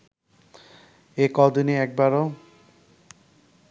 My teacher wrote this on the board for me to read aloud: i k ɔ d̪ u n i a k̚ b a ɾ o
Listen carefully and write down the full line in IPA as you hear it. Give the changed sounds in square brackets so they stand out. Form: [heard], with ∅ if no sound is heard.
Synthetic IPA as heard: [e] k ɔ d̪ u n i [ɛ] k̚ b a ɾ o